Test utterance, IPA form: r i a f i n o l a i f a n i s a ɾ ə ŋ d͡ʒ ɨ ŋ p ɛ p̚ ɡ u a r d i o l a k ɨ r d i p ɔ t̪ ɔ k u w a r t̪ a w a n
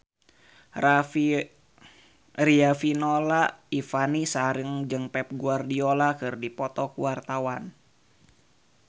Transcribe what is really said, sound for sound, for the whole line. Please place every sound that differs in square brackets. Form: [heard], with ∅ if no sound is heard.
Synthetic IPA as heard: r i a f i n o l a i f a n i s a ɾ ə ŋ d͡ʒ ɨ ŋ p ɛ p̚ ɡ u a r d i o l a k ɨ r d i p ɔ t̪ ɔ k u w a r t̪ a w a n